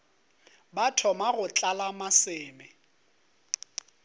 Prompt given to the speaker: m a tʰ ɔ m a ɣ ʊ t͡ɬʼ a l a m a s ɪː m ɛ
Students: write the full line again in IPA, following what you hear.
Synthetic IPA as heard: b a tʰ ɔ m a ɣ ʊ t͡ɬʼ a l a m a s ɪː m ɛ

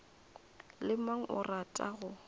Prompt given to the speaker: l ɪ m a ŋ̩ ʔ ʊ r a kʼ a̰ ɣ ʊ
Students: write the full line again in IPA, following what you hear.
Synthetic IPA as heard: l ɪ m a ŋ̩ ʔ ʊ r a tʼ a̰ ɣ ʊ

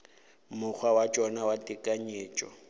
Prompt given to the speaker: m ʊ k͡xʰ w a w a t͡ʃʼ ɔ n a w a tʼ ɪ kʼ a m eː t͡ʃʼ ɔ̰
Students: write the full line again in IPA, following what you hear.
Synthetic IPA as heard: m ʊ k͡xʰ w a w a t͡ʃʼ ɔ n a w a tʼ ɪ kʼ a ɲ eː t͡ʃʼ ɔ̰

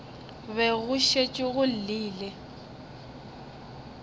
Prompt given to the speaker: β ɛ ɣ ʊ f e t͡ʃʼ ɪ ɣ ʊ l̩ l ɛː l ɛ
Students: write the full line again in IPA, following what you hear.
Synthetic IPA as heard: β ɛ ɣ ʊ ʃ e t͡ʃʼ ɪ ɣ ʊ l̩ l iː l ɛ

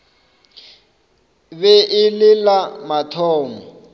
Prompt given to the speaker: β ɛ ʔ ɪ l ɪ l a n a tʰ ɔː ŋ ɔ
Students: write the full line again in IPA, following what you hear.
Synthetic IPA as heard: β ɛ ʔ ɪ l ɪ l a m a tʰ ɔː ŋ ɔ

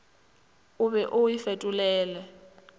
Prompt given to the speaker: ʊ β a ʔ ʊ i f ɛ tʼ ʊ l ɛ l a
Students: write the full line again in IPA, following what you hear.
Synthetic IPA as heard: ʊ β ɛ ʔ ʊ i f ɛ tʼ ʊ l ɛː l ɛ

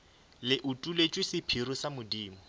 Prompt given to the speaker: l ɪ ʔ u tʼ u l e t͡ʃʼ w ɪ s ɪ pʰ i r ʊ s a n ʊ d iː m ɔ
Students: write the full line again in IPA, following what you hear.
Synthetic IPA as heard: l ɪ ʔ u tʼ u l e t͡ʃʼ w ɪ s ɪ pʰ i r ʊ s a m ʊ d iː m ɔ

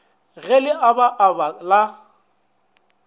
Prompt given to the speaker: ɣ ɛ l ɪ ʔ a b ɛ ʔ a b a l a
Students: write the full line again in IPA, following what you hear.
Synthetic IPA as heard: ɣ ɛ l ɪ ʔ a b a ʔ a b a l a

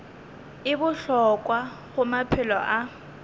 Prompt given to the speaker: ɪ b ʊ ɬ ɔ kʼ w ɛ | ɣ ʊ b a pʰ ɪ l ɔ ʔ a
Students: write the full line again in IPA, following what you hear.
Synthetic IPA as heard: ɪ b ʊ ɬ ɔ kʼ w a | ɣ ʊ m a pʰ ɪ l ɔ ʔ a

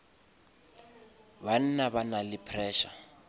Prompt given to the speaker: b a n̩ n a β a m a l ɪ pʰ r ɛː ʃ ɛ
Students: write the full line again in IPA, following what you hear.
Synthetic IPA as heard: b a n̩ n a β a n a l ɪ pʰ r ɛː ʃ a

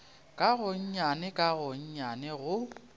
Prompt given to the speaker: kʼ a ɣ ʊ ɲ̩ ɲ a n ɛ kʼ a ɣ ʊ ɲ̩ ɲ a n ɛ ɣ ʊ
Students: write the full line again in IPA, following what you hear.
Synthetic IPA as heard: kʼ a ɣ ʊ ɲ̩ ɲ a n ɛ kʼ a ɣ ʊ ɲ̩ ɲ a n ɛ ɣ ʊ

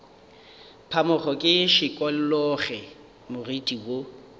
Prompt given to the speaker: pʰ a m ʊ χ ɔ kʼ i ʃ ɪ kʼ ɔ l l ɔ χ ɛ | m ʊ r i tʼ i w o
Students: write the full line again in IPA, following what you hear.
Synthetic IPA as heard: pʰ a m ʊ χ ɔ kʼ ɪ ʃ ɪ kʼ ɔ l l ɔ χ ɛ | m ʊ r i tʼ i w o

